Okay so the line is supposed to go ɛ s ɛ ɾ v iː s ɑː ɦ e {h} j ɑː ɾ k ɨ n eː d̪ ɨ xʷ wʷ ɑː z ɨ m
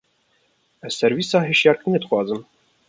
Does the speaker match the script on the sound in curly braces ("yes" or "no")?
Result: no